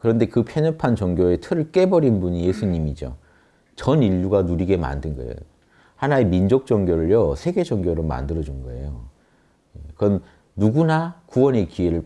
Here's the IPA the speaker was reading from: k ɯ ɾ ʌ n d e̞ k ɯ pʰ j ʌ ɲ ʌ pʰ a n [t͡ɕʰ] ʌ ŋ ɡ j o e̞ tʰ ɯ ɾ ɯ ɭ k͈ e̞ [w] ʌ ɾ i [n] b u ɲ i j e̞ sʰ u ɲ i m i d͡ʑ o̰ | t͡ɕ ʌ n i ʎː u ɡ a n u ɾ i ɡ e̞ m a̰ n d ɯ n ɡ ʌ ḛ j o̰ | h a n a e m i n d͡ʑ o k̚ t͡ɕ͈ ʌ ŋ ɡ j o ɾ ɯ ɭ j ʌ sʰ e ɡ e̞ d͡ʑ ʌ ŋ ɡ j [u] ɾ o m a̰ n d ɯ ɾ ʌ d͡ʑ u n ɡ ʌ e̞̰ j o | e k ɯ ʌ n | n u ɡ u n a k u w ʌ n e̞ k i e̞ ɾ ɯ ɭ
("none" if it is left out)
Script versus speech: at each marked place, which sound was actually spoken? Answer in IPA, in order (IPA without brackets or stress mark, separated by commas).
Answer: t͡ɕ, b, n, o